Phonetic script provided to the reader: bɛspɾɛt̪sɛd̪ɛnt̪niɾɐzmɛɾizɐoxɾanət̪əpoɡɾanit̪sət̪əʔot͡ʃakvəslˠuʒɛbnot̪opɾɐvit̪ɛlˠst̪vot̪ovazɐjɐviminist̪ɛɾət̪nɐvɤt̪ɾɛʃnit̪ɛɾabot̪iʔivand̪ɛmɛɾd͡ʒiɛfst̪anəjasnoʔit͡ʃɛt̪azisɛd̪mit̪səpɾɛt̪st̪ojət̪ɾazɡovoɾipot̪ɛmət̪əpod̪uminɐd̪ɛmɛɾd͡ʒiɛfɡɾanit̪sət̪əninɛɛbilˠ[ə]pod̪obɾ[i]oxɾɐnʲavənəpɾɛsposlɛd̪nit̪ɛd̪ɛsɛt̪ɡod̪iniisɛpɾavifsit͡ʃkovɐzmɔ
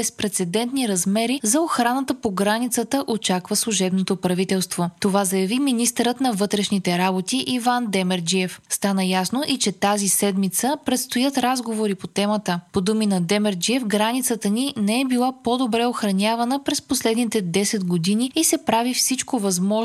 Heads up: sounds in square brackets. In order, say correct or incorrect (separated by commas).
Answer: incorrect, incorrect